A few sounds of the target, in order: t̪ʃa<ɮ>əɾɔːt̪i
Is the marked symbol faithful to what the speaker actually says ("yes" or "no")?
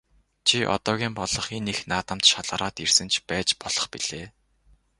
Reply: yes